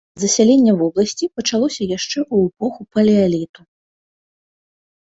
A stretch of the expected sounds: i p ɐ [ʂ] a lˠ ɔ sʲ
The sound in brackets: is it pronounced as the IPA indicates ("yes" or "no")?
no